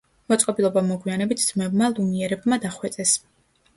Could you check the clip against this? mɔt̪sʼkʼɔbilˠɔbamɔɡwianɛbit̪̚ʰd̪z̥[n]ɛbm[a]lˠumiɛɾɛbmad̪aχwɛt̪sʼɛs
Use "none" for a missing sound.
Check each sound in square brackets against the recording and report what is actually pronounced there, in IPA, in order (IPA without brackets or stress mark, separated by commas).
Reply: m, a